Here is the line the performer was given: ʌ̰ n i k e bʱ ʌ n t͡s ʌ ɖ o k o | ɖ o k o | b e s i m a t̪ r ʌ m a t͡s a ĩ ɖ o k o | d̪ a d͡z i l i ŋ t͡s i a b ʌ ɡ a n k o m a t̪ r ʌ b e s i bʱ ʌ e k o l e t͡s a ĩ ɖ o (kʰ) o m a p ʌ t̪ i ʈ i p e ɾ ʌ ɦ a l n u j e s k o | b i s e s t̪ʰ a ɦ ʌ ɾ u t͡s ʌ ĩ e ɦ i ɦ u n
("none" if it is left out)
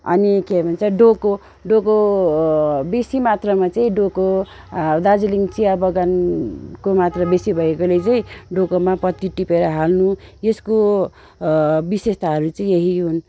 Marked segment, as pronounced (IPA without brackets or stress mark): k